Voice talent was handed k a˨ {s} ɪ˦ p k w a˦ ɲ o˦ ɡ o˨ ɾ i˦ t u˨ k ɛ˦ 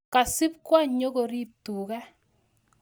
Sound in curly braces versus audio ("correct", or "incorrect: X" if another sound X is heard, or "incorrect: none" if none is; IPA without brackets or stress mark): correct